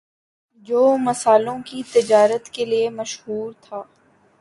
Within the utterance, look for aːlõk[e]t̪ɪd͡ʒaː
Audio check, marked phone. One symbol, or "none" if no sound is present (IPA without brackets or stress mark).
i